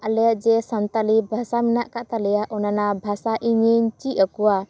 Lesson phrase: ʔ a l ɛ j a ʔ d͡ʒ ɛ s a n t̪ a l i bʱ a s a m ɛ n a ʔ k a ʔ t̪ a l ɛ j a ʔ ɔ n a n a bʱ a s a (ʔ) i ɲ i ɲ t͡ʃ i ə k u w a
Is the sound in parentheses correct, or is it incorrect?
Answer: correct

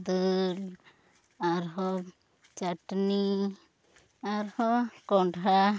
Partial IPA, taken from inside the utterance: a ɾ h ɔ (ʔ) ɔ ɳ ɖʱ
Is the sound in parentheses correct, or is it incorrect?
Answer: incorrect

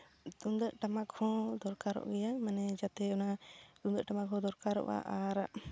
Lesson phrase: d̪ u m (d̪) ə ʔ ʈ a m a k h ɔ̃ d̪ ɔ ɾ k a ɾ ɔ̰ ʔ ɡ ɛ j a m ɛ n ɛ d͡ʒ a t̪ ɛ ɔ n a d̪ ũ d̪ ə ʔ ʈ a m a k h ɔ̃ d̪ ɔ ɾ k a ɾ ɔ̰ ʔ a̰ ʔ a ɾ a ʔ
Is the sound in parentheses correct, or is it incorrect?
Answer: correct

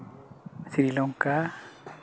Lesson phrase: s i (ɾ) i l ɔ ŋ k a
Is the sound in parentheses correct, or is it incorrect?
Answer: correct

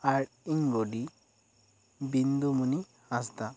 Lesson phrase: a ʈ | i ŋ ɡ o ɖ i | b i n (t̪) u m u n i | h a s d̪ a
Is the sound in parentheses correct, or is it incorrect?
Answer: incorrect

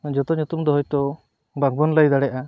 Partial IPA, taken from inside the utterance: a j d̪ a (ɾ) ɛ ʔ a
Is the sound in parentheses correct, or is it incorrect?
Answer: incorrect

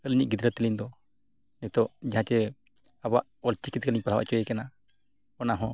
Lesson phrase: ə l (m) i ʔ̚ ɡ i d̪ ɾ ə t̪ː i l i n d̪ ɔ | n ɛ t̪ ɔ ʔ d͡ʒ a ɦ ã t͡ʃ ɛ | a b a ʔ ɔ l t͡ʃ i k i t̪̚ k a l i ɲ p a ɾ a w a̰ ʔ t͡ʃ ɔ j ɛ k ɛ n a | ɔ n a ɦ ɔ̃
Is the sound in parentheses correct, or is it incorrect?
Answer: incorrect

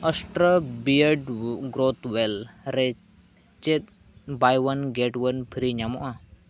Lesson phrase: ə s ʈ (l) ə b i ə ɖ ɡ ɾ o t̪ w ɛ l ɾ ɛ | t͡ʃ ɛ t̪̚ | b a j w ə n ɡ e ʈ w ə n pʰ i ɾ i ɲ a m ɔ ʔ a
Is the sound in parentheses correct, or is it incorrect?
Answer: incorrect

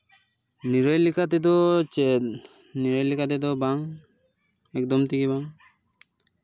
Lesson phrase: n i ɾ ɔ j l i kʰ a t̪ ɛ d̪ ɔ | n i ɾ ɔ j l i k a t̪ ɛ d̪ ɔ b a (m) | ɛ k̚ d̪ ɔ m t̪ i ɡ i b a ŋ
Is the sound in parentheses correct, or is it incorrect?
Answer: incorrect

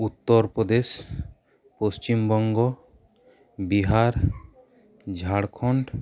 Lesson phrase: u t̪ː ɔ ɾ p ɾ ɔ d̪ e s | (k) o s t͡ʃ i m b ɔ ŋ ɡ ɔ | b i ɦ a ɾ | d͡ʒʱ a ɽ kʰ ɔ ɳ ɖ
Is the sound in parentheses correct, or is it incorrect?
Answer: incorrect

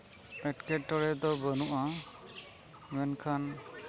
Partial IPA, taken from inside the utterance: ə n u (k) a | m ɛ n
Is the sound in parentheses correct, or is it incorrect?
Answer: incorrect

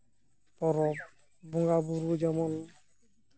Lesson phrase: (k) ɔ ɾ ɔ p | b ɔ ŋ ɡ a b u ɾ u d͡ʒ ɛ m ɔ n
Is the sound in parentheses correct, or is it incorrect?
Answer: incorrect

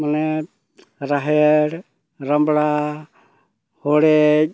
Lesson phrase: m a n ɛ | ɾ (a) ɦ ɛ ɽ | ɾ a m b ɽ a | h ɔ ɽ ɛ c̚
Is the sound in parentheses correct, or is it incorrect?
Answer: correct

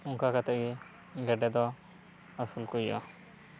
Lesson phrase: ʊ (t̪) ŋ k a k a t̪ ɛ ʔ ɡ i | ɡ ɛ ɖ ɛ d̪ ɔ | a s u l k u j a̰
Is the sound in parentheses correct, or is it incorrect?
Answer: incorrect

